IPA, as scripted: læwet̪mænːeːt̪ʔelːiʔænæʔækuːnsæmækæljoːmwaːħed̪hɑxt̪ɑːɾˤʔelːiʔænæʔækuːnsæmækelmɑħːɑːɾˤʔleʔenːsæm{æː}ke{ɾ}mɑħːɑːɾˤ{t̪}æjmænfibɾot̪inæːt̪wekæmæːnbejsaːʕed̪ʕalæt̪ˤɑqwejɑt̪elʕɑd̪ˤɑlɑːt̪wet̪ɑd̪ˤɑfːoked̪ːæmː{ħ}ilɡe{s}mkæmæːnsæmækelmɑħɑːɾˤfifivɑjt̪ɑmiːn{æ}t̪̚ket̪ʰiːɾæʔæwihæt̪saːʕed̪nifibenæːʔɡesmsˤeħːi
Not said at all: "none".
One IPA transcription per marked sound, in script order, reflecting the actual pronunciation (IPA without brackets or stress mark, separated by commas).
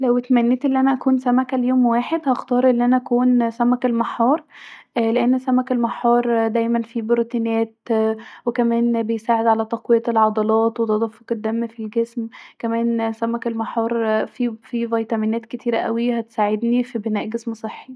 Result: æ, l, d̪, f, s, æː